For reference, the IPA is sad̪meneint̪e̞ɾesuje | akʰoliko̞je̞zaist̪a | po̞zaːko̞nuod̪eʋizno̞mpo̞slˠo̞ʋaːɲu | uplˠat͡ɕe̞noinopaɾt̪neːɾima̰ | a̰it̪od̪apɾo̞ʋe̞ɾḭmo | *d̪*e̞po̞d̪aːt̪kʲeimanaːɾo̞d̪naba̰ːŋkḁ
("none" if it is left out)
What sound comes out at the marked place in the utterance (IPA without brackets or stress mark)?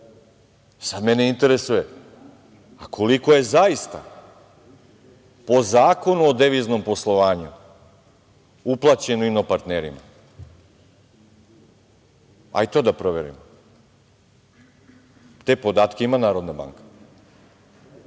t̪